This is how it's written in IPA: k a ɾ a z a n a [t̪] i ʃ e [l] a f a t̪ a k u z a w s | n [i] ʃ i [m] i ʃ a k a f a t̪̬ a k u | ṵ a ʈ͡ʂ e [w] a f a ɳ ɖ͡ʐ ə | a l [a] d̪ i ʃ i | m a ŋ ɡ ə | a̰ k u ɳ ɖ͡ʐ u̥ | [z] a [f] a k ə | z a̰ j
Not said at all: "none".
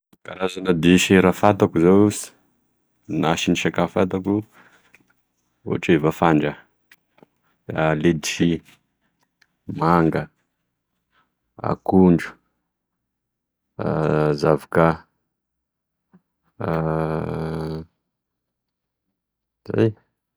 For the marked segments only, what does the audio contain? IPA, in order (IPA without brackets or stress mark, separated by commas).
d̪, ɾ, a, n, v, e, z, v